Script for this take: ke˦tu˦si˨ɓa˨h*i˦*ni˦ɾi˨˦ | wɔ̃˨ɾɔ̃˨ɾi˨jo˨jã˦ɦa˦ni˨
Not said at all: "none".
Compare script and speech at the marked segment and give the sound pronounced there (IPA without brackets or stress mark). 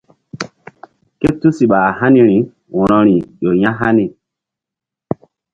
a˦